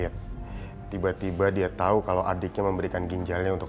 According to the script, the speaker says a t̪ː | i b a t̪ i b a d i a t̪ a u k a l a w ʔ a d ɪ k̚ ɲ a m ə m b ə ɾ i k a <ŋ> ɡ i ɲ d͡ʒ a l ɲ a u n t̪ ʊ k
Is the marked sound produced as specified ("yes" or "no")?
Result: no